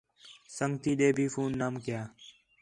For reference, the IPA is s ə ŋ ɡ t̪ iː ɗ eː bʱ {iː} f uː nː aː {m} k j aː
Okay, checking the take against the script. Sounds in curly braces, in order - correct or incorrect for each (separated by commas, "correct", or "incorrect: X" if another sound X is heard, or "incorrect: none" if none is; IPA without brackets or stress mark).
correct, correct